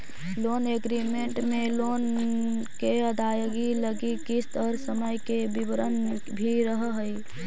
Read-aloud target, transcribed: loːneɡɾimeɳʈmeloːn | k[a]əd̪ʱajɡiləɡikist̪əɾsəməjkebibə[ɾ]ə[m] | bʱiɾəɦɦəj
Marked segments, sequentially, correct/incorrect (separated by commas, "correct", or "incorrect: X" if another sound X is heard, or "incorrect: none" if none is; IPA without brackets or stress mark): incorrect: e, correct, incorrect: n